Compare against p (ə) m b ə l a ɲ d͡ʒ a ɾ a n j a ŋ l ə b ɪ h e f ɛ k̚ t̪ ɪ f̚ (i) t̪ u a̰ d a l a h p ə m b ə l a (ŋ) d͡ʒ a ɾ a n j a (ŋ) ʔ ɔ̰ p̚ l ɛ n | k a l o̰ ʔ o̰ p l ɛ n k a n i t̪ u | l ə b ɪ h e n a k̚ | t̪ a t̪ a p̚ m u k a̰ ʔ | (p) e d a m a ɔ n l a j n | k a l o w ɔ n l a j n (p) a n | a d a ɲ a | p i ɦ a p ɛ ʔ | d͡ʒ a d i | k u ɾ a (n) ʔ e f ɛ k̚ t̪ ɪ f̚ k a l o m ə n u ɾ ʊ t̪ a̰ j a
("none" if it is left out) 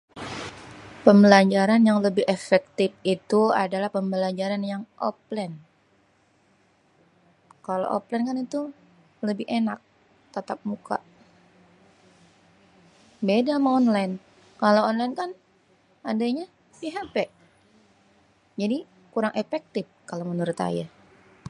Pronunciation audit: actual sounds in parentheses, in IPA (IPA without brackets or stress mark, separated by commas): ə, i, ɲ, ŋ, b, k, ŋ